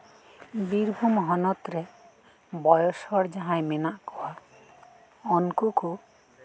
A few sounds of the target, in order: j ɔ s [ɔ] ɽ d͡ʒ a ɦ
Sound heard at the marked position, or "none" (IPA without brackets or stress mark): ɔ